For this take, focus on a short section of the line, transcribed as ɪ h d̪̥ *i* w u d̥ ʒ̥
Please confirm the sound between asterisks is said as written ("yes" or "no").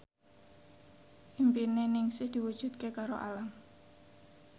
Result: yes